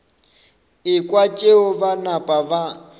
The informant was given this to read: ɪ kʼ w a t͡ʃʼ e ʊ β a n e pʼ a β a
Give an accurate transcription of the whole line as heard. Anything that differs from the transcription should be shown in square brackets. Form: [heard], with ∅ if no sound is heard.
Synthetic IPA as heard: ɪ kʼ w a t͡ʃʼ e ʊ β a n [a] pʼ a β a